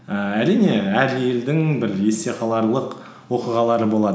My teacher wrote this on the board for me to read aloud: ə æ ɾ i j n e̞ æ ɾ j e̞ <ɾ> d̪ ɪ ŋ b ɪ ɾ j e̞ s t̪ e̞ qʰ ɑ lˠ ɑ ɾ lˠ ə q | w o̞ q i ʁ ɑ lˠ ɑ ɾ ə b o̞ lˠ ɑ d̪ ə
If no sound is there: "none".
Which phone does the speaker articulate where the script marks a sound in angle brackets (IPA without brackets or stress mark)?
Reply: l